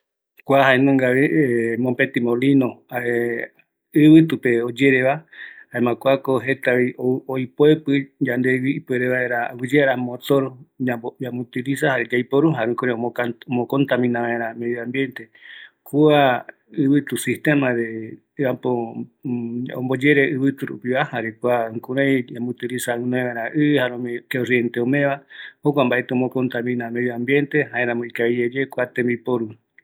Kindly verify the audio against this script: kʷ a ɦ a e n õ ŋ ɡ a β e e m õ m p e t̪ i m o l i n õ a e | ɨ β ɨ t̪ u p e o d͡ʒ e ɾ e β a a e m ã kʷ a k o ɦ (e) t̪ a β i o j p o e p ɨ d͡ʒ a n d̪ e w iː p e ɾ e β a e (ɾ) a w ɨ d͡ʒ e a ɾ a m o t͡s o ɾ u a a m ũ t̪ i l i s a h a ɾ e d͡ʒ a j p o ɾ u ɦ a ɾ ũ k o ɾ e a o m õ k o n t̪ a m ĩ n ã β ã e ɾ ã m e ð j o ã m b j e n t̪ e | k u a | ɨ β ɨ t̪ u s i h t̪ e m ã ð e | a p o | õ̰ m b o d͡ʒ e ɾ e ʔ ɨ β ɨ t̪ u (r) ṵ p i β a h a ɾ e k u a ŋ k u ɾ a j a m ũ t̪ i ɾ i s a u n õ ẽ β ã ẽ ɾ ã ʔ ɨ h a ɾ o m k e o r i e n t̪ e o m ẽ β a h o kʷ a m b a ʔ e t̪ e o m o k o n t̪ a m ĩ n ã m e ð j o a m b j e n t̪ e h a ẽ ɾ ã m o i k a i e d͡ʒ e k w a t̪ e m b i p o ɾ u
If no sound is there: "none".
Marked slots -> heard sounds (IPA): e, ɾ, ɾ

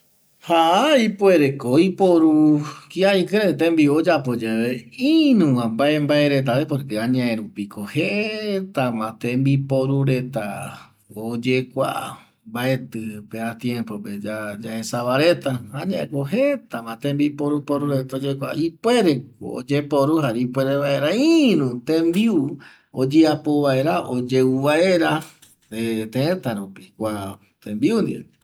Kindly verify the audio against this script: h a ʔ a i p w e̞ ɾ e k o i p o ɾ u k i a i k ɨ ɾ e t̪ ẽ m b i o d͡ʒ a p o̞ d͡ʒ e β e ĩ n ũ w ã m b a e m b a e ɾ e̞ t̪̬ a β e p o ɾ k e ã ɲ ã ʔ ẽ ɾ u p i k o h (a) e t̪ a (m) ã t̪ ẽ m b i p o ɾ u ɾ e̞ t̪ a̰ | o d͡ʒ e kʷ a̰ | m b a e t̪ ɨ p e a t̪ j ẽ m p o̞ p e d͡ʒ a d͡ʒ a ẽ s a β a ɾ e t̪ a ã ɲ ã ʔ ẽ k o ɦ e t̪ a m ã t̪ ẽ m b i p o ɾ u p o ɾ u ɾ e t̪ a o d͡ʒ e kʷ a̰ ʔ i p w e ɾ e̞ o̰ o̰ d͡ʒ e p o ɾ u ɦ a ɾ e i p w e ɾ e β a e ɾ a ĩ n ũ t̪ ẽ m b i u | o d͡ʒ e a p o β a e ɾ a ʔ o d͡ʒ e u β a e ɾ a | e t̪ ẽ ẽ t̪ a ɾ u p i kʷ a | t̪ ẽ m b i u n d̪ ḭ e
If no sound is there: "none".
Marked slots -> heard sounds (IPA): e, m

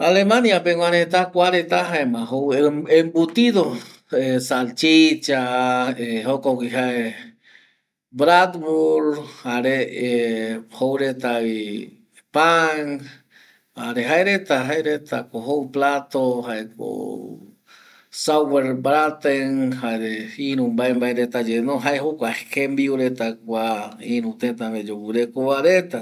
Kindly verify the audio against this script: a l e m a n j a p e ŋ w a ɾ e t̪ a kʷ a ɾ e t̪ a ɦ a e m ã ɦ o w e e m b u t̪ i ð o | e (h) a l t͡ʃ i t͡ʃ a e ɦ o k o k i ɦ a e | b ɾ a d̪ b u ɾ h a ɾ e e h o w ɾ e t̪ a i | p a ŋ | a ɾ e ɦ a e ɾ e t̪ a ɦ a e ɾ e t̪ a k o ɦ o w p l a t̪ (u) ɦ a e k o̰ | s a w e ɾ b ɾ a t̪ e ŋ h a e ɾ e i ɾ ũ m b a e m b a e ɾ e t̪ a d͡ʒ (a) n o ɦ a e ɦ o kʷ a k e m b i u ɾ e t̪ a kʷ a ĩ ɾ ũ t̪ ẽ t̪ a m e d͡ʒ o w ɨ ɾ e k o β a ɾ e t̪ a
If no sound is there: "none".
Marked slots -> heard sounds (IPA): s, o, e

